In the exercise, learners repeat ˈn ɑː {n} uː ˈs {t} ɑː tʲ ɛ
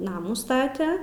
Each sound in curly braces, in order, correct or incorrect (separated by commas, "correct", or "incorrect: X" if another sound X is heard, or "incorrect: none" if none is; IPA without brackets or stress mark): incorrect: m, correct